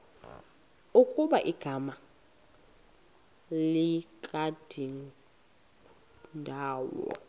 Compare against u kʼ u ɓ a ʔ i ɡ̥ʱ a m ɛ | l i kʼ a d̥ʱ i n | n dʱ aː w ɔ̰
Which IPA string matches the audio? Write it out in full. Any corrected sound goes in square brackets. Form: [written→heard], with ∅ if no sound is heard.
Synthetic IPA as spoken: u kʼ u ɓ a ʔ i ɡ̥ʱ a m [ɛ→a] | l i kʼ a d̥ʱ i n | n dʱ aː w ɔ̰